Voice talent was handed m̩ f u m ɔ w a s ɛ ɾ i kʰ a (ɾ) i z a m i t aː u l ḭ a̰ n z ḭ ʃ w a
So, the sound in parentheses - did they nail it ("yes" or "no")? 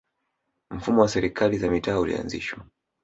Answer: no